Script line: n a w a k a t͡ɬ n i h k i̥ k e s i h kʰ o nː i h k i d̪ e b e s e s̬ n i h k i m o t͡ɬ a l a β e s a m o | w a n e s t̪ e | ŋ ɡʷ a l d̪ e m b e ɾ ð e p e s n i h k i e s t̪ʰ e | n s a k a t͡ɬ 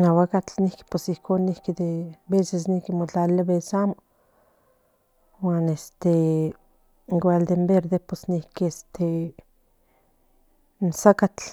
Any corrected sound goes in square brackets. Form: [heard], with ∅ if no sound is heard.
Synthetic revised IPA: n a w a k a t͡ɬ n i h k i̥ [p] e s i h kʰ o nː i h k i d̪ e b e s e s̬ n i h k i m o t͡ɬ a l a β e s a m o | w a n e s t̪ e | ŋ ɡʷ a l d̪ e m b e ɾ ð e p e s n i h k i e s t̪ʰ e | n s a k a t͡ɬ